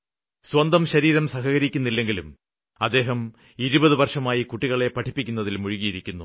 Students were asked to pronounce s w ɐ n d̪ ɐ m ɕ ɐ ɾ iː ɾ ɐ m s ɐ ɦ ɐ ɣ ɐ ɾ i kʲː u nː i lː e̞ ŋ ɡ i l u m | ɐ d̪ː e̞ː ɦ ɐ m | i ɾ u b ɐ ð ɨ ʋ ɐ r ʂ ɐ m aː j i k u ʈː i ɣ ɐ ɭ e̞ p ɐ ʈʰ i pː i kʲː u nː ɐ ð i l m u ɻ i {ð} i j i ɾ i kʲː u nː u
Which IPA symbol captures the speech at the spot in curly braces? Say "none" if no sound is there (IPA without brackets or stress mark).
ɣ